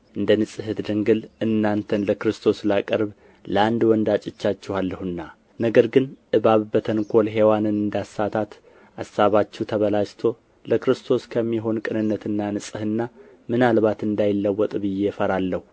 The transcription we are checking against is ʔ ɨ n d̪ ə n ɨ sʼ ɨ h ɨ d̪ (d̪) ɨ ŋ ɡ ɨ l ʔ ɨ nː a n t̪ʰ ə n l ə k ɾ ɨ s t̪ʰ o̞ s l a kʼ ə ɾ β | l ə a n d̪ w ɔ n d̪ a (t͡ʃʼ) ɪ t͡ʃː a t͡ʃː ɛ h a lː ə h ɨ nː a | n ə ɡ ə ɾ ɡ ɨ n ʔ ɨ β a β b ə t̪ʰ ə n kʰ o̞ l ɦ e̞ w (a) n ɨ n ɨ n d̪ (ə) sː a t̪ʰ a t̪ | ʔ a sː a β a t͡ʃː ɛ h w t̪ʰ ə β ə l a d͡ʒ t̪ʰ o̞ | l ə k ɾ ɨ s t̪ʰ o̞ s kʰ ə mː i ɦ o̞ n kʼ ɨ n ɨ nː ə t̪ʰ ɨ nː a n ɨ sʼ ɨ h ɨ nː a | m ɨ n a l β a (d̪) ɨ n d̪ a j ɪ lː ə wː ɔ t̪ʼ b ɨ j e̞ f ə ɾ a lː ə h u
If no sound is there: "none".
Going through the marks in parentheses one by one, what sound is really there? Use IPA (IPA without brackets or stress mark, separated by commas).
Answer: d̪, t͡ʃʼ, a, a, t̪